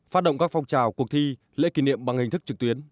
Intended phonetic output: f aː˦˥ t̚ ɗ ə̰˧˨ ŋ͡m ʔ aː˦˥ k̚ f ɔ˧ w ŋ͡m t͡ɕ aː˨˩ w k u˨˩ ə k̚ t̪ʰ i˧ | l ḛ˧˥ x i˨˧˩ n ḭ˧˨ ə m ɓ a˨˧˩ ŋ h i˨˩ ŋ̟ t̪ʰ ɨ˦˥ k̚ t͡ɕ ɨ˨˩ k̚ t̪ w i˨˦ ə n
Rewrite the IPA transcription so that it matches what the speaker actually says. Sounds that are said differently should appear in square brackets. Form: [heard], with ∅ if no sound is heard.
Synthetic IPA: f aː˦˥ t̚ ɗ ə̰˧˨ ŋ͡m [k] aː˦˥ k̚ f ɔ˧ w ŋ͡m t͡ɕ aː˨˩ w k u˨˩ ə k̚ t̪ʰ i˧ | l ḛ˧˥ [k] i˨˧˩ n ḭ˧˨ ə m ɓ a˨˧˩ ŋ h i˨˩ ŋ̟ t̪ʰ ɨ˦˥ k̚ t͡ɕ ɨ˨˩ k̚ t̪ w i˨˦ ə n